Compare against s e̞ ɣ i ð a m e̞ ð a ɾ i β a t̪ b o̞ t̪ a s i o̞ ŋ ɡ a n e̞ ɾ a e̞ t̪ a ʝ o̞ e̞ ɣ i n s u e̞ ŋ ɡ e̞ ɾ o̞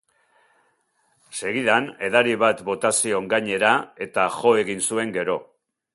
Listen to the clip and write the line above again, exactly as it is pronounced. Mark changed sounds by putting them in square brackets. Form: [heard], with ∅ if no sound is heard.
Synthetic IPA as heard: s e̞ ɣ i ð a [n] e̞ ð a ɾ i β a t̪ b o̞ t̪ a s i o̞ ŋ ɡ a [ɲ] e̞ ɾ a e̞ t̪ a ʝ o̞ e̞ ɣ i n s u e̞ ŋ ɡ e̞ ɾ o̞